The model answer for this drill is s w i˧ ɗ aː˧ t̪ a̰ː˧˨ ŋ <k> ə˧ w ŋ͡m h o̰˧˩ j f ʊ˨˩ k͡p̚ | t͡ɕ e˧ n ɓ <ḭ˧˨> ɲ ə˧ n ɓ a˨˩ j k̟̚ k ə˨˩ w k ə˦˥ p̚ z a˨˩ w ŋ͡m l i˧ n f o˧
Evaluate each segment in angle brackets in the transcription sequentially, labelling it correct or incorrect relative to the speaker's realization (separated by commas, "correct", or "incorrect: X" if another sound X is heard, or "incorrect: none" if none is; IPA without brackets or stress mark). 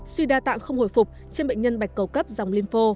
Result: incorrect: x, incorrect: ḛ˧˨